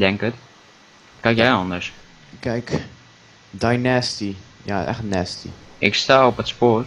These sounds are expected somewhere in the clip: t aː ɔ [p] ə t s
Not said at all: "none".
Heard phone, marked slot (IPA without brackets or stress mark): p